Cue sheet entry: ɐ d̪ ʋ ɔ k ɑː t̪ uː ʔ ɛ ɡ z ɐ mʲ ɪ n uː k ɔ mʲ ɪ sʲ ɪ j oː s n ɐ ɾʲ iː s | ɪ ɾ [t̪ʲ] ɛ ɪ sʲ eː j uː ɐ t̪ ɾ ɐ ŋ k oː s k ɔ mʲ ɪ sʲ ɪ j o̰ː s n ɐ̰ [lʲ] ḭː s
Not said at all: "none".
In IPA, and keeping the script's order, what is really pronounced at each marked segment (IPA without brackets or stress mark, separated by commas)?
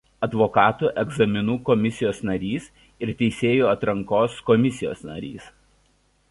t̪ʲ, ɾʲ